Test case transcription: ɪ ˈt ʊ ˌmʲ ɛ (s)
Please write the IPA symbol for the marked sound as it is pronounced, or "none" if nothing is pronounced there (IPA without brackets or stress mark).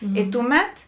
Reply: t